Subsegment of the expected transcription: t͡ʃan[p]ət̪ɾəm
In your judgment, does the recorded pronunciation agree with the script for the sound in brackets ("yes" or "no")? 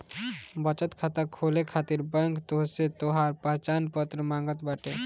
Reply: yes